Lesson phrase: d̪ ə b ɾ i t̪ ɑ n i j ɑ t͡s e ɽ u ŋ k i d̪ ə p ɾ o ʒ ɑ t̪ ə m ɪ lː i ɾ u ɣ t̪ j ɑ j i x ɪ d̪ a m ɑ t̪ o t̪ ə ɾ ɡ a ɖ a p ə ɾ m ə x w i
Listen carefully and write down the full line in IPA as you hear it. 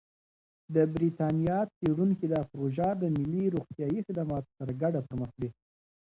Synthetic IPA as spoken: d̪ ə b ɾ i t̪ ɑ n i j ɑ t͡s e ɽ u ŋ k i d̪ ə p ɾ o ʒ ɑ d̪ ə m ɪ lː i ɾ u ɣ t̪ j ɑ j i x ɪ d̪ a m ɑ t̪ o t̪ ə ɾ ɡ a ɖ a p ə ɾ m ə x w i